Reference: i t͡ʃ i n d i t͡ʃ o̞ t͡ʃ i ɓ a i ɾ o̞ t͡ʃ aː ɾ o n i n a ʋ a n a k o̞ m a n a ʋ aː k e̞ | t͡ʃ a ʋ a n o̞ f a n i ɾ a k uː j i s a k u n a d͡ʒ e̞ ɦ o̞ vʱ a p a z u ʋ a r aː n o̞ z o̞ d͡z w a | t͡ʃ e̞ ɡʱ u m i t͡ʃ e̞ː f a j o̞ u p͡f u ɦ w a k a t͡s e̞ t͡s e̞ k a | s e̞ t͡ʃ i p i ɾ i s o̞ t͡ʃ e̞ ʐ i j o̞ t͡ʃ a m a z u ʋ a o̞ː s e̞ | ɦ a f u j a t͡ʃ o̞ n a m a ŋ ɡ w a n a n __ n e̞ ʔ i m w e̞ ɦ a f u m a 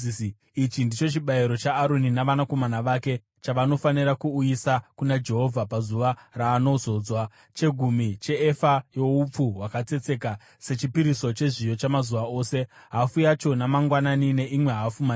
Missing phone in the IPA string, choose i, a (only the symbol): i